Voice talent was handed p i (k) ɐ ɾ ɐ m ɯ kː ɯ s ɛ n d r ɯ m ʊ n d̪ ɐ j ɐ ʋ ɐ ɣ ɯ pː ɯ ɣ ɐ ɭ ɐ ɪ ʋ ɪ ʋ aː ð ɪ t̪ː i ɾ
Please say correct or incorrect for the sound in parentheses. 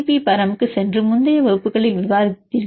incorrect